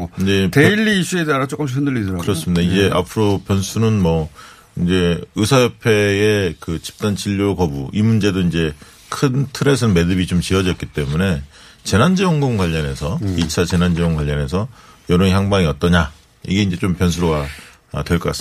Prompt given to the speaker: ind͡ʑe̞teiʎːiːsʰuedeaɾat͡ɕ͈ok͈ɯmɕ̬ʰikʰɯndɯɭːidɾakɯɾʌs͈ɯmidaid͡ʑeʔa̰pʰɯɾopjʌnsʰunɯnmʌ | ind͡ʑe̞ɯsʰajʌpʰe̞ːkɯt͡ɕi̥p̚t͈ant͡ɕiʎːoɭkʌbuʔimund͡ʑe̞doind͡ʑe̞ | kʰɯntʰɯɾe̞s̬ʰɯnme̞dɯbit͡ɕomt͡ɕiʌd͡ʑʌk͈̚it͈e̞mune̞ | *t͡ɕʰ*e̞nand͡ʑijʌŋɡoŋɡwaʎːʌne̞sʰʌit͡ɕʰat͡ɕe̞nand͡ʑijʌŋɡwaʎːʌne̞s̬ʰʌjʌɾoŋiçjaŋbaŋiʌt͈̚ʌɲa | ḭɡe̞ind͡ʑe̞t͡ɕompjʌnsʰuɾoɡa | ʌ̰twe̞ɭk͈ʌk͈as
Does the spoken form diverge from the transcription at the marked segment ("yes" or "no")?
yes